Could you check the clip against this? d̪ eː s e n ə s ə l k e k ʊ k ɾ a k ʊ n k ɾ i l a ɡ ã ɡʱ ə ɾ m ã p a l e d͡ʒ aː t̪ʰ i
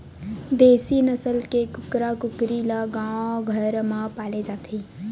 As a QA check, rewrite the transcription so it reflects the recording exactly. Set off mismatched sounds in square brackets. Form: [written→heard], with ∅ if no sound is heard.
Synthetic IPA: d̪ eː s [e→i] n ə s ə l k e k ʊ k ɾ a k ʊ [n→∅] k ɾ i l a ɡ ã ɡʱ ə ɾ m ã p a l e d͡ʒ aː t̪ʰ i